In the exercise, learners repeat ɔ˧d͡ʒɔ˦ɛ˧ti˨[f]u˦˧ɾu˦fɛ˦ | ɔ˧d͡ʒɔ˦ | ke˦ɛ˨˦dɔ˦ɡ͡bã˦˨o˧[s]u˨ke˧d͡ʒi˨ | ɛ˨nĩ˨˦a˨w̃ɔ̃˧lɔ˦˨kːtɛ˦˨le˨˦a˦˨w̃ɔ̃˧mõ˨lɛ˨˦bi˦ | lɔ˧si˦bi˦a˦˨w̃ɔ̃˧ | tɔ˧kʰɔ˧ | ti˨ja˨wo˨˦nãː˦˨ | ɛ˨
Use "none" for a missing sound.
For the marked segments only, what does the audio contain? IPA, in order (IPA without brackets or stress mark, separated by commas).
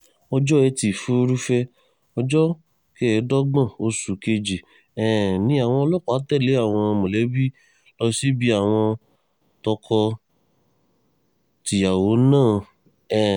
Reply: f, s